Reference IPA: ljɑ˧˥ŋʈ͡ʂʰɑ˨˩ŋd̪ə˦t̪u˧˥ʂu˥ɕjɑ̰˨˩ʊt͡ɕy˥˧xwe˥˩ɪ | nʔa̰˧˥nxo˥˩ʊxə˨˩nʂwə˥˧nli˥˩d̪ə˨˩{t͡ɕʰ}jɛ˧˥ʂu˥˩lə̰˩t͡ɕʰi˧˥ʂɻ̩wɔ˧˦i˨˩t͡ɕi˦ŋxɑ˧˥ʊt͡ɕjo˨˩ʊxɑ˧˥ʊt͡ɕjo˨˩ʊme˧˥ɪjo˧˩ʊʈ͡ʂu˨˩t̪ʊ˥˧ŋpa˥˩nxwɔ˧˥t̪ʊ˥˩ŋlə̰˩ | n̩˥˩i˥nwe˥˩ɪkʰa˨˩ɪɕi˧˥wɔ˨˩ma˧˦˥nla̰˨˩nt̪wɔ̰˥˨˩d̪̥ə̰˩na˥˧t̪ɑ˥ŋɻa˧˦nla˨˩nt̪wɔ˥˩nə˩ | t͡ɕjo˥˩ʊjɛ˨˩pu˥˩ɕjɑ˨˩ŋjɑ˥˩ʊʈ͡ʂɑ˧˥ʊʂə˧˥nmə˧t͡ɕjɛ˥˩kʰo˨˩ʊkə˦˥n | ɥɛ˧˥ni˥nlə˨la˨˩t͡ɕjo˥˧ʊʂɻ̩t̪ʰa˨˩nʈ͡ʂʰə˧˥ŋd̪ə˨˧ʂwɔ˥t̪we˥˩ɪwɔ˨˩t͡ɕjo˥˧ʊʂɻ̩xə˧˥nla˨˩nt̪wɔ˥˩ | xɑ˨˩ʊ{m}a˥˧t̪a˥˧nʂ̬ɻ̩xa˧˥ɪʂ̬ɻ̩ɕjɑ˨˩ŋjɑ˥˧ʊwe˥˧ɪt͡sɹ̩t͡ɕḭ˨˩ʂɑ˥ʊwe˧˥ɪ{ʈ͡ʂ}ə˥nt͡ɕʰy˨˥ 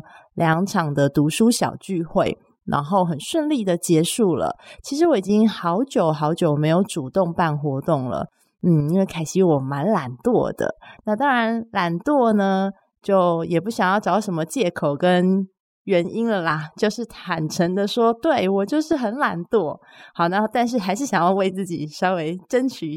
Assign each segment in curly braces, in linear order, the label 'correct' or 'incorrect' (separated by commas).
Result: incorrect, incorrect, correct